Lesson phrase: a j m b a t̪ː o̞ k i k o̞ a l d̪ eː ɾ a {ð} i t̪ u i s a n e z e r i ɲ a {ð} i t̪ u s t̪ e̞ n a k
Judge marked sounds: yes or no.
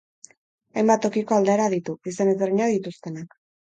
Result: yes, yes

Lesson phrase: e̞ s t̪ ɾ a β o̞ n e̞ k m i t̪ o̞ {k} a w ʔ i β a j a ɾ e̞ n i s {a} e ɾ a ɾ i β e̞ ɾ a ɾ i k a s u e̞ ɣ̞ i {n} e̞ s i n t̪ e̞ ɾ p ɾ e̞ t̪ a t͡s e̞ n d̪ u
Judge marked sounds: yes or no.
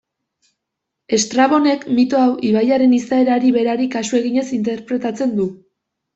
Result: no, yes, no

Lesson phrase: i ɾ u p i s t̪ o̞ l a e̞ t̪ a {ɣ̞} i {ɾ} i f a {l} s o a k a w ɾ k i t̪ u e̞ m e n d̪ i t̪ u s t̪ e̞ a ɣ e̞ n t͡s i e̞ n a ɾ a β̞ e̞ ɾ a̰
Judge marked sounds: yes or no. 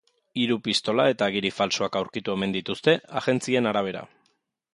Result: yes, yes, yes

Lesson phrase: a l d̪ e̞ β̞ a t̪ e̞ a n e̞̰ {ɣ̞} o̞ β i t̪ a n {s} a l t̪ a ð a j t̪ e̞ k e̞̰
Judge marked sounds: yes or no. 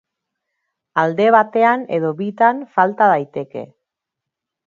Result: no, no

